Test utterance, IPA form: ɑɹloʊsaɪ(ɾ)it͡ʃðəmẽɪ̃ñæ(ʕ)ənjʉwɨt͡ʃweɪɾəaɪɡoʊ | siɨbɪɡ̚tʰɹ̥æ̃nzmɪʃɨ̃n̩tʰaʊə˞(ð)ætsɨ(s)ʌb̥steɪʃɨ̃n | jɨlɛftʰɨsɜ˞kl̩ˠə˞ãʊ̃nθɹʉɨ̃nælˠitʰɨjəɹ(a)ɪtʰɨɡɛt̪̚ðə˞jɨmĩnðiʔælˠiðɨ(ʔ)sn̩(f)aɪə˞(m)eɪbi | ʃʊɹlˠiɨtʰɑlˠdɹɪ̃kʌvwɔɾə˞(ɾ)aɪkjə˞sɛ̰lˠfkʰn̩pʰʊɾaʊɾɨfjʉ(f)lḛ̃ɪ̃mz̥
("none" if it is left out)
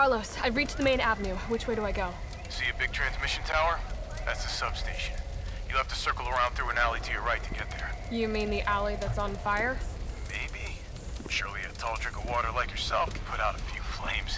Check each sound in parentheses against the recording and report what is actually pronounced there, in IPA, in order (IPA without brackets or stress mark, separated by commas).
ɹ, v, ð, s, a, t, f, m, l, f